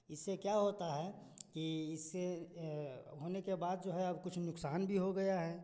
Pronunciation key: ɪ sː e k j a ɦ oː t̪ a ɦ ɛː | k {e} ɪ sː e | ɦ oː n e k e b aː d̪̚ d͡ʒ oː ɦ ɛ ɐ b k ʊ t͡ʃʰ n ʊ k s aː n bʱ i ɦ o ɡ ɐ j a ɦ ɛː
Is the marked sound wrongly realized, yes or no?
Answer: yes